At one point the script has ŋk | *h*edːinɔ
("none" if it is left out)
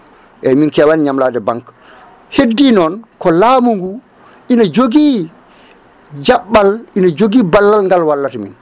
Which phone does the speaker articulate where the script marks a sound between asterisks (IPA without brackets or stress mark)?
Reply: h